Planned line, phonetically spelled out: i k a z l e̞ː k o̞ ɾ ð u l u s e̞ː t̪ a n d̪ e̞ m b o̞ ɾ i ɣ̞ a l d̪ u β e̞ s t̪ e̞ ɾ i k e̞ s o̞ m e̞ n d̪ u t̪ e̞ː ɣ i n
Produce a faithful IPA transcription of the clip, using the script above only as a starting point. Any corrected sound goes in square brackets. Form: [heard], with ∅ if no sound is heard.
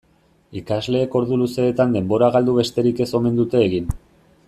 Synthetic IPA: i k a z l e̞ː k o̞ ɾ ð u l u s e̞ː t̪ a n d̪ e̞ m b o̞ ɾ [a] ɣ̞ a l d̪ u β e̞ s t̪ e̞ ɾ i k e̞ s o̞ m e̞ n d̪ u t̪ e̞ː ɣ i n